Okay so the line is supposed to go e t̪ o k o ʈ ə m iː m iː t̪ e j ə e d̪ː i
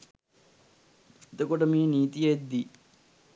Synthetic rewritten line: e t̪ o k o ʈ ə m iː n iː t̪ i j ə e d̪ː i